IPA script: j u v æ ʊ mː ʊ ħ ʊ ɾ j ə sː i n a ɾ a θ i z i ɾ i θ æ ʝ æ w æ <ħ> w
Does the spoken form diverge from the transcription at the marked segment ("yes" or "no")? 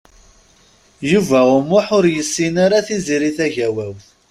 yes